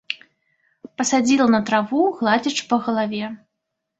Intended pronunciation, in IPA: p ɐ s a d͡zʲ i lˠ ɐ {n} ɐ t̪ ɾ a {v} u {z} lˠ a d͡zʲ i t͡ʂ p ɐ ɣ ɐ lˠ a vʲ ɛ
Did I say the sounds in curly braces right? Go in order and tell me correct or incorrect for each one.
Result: correct, correct, incorrect

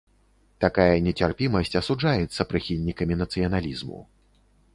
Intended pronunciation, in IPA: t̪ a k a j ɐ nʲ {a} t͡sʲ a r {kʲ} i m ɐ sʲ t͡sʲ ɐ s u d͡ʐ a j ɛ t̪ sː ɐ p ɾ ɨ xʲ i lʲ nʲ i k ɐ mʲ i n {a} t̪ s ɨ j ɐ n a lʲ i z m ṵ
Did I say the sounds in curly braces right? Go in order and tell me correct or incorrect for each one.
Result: incorrect, incorrect, incorrect

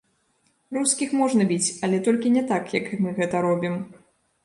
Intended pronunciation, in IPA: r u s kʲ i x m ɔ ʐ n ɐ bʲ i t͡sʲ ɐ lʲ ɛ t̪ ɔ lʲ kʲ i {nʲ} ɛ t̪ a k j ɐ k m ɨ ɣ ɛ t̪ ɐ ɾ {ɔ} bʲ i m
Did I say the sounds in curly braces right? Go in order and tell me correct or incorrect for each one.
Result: correct, correct

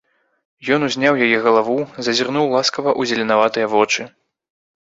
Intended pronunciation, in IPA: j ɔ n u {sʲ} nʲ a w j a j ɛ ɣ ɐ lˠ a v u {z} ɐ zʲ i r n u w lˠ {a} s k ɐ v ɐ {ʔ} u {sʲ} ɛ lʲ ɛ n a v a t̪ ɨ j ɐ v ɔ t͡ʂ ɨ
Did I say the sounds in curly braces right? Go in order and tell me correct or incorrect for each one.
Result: incorrect, correct, correct, correct, incorrect

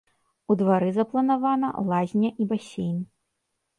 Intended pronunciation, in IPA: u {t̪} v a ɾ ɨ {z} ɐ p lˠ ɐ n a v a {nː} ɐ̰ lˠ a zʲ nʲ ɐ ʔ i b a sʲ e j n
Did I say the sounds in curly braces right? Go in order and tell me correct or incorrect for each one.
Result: incorrect, correct, incorrect

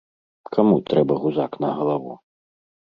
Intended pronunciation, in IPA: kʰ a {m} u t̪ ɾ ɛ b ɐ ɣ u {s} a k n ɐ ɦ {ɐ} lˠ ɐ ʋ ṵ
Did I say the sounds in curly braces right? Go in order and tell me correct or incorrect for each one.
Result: correct, incorrect, correct

